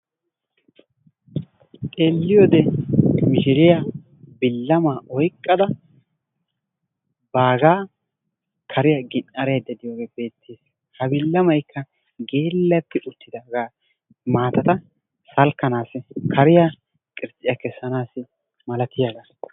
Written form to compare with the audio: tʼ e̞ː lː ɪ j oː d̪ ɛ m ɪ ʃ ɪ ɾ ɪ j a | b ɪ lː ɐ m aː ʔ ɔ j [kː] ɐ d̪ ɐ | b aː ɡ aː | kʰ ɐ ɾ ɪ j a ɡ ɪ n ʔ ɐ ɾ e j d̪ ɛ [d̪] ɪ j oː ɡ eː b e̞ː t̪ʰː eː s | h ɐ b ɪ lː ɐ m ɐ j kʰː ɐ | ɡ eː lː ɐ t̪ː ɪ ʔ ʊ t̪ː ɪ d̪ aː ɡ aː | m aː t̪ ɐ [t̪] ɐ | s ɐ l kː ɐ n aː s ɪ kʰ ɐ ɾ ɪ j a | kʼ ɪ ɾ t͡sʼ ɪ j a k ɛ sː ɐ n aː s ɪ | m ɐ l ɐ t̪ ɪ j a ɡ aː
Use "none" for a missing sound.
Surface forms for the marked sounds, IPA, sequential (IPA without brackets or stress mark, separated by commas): kʼː, d̪, t̪